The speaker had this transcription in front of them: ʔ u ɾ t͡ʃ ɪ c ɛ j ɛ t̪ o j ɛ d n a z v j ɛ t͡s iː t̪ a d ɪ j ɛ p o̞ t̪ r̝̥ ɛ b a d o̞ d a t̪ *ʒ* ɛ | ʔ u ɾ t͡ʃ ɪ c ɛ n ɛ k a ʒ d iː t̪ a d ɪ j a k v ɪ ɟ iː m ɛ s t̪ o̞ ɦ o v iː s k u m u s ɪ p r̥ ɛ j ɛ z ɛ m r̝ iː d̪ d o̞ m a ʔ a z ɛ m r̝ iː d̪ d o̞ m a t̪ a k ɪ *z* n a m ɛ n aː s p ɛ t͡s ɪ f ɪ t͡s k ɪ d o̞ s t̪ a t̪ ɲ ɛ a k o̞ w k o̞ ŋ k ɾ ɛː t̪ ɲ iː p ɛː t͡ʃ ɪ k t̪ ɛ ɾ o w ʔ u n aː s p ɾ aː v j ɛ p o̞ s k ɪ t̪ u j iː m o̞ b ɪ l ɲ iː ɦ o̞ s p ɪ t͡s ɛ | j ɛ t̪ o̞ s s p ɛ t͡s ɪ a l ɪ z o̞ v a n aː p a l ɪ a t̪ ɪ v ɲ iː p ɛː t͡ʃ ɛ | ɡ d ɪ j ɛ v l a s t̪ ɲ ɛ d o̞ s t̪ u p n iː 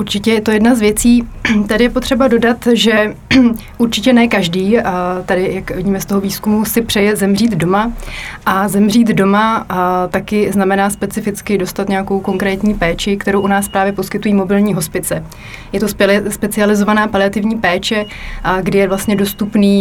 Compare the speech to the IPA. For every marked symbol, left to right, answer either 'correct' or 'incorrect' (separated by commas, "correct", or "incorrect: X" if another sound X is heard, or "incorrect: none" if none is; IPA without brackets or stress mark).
correct, correct